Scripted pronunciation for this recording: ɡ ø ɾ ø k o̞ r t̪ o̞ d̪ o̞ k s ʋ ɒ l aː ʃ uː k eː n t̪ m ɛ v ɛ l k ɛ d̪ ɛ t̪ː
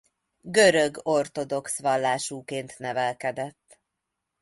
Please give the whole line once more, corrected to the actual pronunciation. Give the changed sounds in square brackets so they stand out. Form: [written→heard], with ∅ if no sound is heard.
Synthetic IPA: ɡ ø ɾ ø [k→ɡ] o̞ r t̪ o̞ d̪ o̞ k s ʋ ɒ [l→lː] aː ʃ uː k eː n t̪ [m→n] ɛ v ɛ l k ɛ d̪ ɛ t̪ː